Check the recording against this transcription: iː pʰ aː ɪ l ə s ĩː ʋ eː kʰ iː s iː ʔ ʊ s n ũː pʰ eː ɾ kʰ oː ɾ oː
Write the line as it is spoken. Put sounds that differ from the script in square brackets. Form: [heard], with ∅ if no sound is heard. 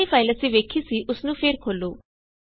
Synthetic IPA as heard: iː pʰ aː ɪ l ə s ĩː ʋ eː kʰ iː s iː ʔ ʊ s n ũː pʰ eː ɾ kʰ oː [l] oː